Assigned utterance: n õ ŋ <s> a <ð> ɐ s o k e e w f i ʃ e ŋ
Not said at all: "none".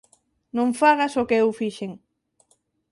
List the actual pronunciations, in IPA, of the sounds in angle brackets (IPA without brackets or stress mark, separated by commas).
f, ɣ